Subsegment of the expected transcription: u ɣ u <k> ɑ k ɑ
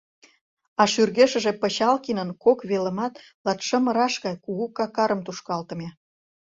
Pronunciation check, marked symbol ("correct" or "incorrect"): correct